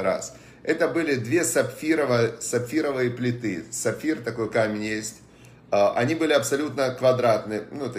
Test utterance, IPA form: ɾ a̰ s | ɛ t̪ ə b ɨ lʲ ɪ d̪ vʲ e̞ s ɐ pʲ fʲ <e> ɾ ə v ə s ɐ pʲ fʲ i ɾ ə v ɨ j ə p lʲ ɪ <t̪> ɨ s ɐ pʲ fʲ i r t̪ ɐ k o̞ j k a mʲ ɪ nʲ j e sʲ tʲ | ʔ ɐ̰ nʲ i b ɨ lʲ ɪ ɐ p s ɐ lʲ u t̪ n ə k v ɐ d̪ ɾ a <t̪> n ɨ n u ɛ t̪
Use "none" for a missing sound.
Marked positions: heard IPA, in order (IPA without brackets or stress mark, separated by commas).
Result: i, t̪, t̪